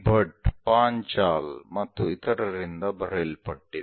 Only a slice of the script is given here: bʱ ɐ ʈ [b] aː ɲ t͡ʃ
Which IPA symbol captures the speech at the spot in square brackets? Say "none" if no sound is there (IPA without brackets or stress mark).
p